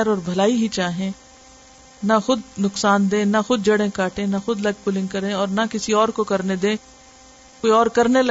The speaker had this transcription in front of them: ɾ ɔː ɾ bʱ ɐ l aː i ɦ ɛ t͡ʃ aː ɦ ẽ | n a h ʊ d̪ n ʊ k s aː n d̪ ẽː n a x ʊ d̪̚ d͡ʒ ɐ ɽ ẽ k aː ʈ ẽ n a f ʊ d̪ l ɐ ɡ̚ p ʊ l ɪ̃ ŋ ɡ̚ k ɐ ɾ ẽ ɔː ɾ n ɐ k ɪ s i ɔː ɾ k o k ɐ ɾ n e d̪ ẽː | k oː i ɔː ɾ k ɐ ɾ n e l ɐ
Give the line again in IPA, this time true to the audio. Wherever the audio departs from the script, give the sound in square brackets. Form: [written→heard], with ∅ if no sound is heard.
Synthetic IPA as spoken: ɾ ɔː ɾ bʱ ɐ l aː i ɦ [ɛ→i] t͡ʃ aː ɦ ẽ | n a [h→x] ʊ d̪ n ʊ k s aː n d̪ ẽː n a x ʊ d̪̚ d͡ʒ ɐ ɽ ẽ k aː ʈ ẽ n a [f→x] ʊ d̪ l ɐ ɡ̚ p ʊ l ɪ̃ ŋ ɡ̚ k ɐ ɾ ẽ ɔː ɾ n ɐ k ɪ s i ɔː ɾ k o k ɐ ɾ n e d̪ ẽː | k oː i ɔː ɾ k ɐ ɾ n e l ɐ